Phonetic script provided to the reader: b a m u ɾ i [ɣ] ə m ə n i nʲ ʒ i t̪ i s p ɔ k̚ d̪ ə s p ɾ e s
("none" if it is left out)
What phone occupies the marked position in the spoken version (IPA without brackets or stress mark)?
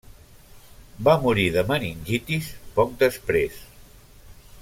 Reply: ð